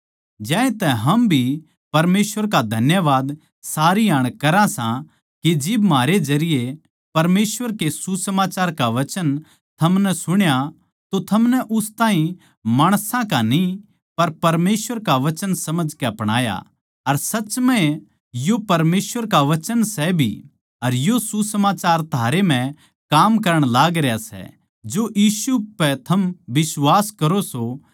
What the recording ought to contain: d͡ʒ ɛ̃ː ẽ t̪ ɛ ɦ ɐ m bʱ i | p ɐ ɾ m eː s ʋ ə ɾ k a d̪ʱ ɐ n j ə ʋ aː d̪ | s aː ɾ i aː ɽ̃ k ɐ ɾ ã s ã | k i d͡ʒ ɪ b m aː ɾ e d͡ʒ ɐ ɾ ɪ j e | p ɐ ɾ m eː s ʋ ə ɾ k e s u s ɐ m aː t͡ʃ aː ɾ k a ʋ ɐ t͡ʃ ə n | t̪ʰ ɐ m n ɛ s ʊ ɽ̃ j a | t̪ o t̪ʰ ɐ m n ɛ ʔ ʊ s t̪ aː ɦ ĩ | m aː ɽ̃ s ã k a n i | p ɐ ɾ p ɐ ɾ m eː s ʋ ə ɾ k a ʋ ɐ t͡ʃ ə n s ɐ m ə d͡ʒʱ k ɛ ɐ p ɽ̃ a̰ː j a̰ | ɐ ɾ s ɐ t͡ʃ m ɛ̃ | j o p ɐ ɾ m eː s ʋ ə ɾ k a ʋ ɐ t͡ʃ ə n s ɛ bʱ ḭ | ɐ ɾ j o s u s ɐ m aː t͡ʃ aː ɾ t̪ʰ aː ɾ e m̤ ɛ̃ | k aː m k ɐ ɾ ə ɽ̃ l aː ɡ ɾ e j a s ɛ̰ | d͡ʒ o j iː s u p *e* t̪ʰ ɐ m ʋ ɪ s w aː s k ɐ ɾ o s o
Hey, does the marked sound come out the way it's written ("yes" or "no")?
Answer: no